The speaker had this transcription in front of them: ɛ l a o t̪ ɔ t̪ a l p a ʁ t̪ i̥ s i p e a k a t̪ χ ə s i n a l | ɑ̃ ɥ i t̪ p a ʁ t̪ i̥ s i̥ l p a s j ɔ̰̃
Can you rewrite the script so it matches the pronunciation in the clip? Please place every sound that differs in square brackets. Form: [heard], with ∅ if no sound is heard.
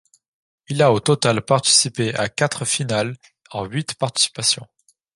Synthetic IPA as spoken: [i] l a o t̪ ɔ t̪ a l p a ʁ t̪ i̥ s i p e a k a t̪ χ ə [f] i n a l | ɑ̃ ɥ i t̪ p a ʁ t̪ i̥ s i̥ [∅] p a s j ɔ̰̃